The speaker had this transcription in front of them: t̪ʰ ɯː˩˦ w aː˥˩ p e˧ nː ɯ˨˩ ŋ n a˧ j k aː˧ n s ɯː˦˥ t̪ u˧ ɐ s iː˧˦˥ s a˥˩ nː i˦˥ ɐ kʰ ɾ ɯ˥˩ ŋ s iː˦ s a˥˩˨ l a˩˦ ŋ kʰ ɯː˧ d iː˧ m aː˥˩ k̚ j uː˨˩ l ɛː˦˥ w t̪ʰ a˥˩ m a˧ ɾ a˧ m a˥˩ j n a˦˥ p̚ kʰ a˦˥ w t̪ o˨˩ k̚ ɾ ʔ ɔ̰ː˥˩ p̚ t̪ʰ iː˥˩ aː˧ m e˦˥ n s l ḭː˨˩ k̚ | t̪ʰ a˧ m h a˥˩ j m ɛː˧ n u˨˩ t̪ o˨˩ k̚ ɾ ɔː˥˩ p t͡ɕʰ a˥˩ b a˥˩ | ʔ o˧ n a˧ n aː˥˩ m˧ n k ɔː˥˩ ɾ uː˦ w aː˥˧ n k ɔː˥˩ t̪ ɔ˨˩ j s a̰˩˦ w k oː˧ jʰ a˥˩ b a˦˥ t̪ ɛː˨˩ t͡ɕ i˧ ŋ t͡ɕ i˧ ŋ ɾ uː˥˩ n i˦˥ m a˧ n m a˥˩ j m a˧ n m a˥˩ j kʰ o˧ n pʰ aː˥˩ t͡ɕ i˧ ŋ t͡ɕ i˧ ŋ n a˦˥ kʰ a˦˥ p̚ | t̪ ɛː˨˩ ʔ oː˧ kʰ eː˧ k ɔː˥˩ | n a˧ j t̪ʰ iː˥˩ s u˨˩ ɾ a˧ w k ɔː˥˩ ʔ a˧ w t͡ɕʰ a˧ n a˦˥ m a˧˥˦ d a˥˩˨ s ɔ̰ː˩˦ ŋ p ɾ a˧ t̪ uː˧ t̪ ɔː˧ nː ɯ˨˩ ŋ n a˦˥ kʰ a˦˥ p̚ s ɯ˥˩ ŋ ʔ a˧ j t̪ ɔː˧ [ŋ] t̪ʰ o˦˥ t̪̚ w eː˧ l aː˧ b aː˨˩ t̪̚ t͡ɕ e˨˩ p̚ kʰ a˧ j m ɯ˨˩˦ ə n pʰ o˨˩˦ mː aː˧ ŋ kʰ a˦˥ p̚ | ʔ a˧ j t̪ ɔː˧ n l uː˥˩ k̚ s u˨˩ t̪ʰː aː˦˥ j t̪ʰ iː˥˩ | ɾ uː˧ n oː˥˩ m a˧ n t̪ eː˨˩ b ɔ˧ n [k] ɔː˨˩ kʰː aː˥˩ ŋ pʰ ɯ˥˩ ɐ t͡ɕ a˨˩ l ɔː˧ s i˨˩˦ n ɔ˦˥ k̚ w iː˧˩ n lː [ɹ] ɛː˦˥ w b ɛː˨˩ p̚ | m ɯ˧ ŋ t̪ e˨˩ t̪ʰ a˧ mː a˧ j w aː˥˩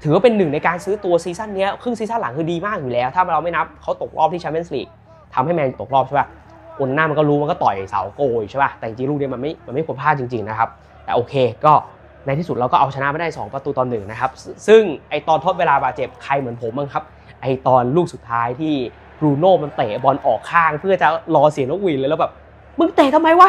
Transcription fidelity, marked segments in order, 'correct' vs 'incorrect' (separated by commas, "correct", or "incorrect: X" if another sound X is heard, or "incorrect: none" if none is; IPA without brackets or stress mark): incorrect: n, incorrect: ʔ, incorrect: l